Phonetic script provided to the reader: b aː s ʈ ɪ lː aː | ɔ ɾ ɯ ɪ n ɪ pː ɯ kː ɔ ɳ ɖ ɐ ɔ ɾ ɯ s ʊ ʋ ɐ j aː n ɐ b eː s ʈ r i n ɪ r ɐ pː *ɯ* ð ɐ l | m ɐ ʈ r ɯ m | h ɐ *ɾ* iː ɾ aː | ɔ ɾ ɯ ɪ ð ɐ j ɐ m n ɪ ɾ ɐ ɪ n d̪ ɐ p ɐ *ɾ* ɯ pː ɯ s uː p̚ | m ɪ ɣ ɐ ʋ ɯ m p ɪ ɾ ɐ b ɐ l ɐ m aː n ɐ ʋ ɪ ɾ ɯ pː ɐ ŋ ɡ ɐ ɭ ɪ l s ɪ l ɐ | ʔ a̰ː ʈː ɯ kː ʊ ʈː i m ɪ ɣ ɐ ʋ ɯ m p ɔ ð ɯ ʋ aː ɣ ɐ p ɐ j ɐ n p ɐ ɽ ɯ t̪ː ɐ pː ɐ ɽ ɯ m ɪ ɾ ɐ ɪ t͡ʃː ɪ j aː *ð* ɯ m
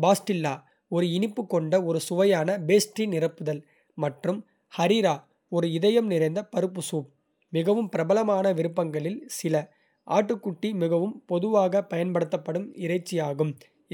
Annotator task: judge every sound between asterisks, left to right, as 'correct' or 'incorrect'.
correct, correct, correct, incorrect

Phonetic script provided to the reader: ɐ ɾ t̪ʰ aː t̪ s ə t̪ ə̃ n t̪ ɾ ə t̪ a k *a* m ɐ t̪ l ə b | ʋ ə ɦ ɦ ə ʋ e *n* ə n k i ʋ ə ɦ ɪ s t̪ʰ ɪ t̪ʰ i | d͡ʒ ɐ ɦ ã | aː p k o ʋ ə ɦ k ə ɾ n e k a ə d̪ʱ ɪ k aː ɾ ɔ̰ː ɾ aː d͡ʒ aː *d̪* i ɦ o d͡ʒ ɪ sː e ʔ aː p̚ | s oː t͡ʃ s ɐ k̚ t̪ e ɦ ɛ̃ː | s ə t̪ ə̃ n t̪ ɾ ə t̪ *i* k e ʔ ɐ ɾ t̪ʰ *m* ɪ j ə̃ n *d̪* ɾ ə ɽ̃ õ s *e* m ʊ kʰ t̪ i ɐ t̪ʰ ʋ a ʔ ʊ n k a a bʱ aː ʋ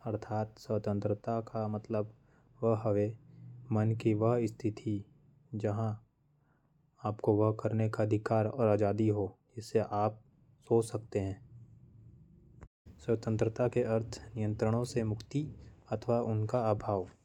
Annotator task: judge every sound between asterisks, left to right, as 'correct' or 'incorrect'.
correct, incorrect, correct, incorrect, incorrect, incorrect, correct

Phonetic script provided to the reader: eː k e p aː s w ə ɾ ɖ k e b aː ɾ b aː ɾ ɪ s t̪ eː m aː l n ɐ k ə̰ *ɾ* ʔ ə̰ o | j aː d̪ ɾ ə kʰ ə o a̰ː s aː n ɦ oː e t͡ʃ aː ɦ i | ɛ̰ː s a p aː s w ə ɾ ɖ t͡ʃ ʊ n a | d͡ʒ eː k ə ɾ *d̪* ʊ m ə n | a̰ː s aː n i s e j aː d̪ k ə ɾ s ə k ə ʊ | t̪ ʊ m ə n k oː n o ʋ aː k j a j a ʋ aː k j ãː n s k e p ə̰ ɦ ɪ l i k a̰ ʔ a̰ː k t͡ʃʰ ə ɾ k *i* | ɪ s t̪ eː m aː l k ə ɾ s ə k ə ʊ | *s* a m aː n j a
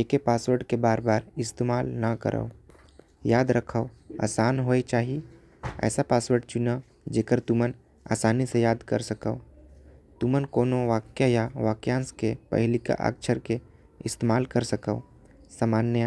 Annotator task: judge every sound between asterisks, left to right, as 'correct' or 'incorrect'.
correct, incorrect, incorrect, correct

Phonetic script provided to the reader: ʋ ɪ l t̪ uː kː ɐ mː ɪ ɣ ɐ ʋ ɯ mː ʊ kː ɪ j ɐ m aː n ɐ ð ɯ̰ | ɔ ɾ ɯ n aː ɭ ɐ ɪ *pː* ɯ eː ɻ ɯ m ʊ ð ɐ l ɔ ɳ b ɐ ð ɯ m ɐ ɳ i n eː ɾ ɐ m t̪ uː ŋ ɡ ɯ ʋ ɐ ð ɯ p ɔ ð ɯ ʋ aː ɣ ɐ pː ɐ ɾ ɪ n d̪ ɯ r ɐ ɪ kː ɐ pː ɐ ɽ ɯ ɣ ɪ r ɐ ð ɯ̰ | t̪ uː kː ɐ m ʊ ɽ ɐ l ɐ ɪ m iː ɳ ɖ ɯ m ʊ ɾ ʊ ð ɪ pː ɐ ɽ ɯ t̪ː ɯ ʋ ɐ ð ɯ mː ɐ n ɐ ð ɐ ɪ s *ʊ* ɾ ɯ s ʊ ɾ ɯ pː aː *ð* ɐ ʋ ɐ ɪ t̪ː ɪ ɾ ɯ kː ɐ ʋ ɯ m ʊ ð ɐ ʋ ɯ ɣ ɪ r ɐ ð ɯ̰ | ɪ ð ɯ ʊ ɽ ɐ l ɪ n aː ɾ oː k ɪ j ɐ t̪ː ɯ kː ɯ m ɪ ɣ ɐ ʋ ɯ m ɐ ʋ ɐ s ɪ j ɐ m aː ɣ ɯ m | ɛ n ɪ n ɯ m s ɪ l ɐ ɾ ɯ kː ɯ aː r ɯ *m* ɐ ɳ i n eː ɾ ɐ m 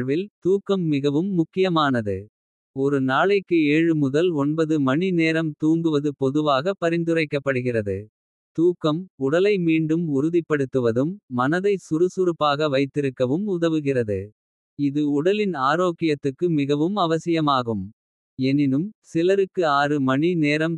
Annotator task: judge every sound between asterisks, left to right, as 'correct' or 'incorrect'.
incorrect, correct, incorrect, correct

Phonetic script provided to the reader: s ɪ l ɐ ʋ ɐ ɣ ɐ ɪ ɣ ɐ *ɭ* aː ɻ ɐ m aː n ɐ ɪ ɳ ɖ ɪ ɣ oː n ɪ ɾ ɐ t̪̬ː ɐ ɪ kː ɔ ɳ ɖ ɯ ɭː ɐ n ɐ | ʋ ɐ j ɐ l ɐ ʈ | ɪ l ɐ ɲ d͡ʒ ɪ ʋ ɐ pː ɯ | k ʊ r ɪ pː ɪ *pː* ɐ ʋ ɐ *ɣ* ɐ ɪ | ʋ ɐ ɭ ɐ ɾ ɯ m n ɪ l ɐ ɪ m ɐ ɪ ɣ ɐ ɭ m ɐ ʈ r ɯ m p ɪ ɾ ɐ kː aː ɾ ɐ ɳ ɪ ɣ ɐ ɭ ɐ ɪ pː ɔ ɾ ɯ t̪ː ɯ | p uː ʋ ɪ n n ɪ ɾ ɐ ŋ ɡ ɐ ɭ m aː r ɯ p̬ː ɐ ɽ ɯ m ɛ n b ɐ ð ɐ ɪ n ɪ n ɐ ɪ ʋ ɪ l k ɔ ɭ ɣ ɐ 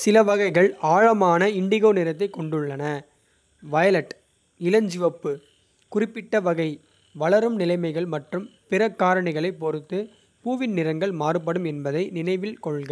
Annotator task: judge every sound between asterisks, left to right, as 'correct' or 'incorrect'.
correct, incorrect, correct

